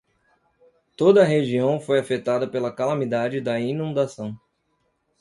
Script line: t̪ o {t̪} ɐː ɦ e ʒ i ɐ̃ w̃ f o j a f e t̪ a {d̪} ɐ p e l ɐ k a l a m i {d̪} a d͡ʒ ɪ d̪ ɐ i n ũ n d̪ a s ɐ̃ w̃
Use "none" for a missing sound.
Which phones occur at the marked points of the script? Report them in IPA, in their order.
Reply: d̪, d̪, d̪

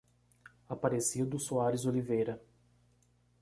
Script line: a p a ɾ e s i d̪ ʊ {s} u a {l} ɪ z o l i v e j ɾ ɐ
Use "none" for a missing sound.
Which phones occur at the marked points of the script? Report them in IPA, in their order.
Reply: s, ɾ

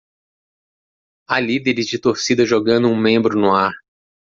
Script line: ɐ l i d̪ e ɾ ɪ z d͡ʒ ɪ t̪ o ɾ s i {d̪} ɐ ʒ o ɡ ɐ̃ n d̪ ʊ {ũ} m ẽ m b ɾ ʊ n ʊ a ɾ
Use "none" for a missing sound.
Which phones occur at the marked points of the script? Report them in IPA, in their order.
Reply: d̪, ũ

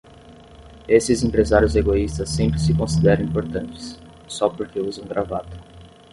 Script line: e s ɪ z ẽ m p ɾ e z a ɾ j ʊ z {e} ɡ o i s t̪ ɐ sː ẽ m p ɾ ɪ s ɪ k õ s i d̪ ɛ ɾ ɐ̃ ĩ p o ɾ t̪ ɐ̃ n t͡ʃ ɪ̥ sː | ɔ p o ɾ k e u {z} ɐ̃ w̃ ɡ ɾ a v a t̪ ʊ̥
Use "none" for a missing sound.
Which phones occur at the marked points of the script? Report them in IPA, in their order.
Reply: e, z

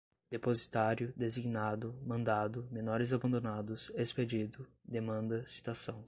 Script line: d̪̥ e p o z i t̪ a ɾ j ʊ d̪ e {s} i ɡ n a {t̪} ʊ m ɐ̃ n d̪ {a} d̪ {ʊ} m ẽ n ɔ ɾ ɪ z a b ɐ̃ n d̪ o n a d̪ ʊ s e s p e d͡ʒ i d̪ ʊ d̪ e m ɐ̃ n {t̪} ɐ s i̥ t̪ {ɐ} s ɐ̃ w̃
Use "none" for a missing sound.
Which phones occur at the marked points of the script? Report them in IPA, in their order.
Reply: z, d̪, a, ʊ, d̪, a

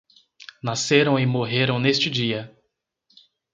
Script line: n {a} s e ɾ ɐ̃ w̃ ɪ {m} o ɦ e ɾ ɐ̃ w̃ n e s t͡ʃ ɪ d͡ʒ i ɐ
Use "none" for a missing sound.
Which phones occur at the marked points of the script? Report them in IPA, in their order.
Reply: a, m

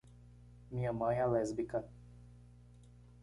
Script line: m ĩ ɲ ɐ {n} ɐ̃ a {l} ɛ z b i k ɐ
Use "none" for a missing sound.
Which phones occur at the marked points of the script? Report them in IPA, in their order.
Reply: m, l

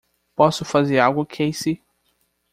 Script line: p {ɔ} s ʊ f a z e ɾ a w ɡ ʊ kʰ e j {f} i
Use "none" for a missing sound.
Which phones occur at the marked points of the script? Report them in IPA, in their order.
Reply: ɔ, s

